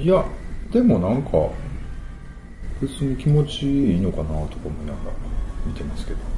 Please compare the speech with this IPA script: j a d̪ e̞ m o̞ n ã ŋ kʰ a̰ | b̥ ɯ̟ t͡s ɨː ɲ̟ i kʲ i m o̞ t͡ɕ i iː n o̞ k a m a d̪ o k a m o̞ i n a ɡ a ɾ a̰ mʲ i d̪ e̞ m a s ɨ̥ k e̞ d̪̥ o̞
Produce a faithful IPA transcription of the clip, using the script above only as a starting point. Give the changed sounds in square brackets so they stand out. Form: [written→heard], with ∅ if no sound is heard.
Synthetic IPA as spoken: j a d̪ e̞ m o̞ n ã ŋ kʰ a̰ | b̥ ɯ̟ t͡s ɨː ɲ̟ i kʲ i m o̞ t͡ɕ i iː n o̞ k a [m→n] a [d̪→t̪] o k a m o̞ i n a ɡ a ɾ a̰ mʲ i [d̪→t̪] e̞ m a s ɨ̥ k e̞ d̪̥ o̞